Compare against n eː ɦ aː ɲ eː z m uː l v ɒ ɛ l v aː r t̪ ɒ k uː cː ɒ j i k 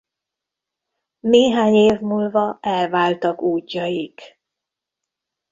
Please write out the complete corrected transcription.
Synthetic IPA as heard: n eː ɦ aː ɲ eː v m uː l v ɒ ɛ l v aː l t̪ ɒ k uː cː ɒ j i k